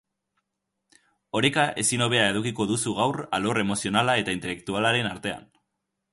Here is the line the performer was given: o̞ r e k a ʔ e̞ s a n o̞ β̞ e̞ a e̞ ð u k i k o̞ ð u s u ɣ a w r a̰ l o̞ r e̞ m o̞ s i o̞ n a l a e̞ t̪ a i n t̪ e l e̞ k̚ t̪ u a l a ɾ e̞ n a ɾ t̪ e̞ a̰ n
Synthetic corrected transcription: o̞ ɾ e k a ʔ e̞ s i n o̞ β̞ e̞ a e̞ ð u k i k o̞ ð u s u ɣ a w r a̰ l o̞ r e̞ m o̞ s i o̞ n a l a e̞ t̪ a i n t̪ e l e̞ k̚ t̪ u a l a ɾ e̞ n a ɾ t̪ e̞ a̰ n